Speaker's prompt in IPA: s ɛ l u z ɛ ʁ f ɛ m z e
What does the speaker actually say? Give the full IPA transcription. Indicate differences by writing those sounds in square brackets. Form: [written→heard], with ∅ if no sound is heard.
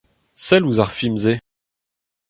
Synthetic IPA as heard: s ɛ l u z [ɛ→a] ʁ f [ɛ→i] m z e